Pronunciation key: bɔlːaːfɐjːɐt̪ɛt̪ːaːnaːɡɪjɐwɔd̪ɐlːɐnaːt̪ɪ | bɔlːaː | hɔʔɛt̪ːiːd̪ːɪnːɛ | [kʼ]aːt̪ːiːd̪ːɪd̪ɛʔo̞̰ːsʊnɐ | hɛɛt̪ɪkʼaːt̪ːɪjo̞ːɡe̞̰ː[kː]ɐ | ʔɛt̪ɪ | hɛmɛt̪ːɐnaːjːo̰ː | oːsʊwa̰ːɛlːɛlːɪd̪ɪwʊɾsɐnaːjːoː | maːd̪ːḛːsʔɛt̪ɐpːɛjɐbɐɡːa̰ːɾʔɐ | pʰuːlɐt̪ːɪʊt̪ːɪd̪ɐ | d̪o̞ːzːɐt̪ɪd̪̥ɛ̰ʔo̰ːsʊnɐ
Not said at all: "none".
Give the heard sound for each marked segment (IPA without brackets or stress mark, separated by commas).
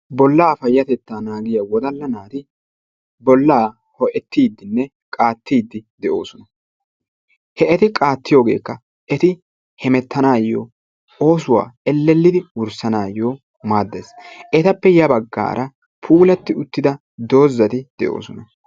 kʼ, kː